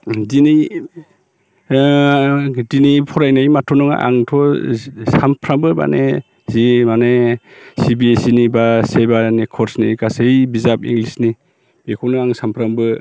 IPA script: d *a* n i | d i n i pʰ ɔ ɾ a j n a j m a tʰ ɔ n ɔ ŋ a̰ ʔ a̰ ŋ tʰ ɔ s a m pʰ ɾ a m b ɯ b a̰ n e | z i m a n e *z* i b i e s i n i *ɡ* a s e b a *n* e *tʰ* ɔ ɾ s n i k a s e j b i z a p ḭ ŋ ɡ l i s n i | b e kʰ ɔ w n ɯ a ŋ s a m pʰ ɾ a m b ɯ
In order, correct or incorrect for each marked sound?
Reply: incorrect, incorrect, incorrect, correct, incorrect

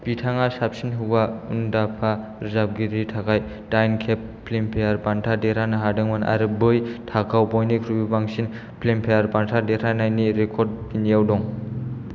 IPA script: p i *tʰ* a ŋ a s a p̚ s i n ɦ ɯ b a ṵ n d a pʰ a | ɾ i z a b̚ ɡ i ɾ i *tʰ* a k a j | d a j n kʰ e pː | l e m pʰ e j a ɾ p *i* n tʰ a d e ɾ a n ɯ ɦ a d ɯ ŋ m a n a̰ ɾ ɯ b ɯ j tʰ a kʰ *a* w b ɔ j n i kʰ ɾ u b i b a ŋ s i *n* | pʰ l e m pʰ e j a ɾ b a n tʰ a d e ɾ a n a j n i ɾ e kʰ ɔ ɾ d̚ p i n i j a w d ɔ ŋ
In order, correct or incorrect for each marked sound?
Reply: correct, correct, incorrect, correct, correct

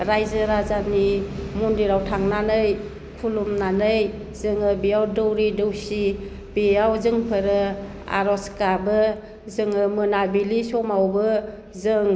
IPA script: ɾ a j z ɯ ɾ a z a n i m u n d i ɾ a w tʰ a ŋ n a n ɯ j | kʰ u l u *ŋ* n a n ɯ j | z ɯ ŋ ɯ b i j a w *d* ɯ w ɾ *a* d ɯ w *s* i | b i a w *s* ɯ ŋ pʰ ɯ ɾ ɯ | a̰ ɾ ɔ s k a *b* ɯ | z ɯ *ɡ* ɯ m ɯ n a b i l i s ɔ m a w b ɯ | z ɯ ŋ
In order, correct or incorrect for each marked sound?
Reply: incorrect, correct, incorrect, correct, incorrect, correct, incorrect

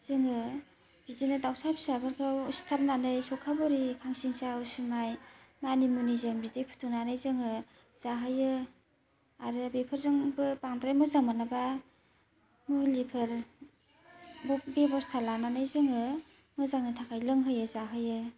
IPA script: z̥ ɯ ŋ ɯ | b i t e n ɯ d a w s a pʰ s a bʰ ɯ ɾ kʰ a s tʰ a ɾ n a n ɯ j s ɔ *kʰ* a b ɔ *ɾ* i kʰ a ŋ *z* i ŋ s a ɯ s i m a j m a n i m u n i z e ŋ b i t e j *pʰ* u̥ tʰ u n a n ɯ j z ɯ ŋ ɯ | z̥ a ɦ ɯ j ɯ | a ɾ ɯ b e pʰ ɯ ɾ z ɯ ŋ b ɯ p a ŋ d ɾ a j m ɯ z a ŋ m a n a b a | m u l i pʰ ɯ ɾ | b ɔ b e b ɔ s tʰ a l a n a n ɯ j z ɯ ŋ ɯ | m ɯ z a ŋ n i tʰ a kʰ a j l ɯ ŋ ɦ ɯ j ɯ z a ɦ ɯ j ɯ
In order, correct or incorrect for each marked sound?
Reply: correct, correct, incorrect, correct

